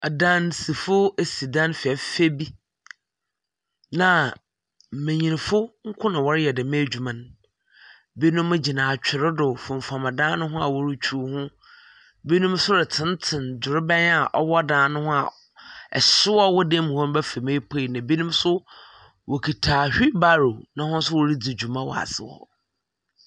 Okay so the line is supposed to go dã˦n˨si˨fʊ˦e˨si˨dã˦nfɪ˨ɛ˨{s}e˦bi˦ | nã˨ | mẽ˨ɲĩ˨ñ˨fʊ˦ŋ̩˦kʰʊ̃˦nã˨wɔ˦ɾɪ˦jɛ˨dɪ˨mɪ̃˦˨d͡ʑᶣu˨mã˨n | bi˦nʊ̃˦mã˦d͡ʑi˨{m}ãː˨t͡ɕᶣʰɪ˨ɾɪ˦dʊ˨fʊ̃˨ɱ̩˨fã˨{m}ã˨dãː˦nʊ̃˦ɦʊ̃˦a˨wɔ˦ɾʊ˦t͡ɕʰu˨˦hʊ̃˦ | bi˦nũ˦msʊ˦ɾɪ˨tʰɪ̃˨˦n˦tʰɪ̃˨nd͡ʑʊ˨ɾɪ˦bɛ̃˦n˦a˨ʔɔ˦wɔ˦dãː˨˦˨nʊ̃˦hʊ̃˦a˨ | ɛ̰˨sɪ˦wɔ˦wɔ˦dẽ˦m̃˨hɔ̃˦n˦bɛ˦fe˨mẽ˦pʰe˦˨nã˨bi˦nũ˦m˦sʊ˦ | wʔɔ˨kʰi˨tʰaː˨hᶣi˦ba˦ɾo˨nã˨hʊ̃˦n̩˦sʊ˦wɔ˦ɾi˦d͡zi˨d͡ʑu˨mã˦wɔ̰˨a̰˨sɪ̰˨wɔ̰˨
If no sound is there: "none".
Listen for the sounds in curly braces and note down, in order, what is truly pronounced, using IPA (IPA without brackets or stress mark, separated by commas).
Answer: f, n, m